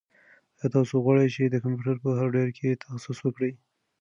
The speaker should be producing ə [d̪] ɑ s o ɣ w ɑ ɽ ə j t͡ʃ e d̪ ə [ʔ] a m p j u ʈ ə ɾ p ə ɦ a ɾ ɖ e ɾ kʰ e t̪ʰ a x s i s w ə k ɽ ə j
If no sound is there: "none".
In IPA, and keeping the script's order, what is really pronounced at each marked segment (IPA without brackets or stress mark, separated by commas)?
t̪, k